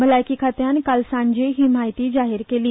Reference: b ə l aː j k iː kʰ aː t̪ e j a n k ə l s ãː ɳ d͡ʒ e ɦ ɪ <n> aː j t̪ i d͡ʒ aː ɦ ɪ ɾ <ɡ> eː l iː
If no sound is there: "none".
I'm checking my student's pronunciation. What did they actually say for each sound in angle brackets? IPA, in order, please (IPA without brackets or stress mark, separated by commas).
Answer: m, k